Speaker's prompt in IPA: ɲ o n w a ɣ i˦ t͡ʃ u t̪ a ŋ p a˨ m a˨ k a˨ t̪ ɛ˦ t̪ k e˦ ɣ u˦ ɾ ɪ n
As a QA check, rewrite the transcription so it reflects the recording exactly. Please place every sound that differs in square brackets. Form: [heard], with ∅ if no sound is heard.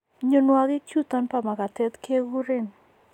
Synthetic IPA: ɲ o n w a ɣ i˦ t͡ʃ u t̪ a [n] p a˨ m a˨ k a˨ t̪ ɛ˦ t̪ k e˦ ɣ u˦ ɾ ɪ n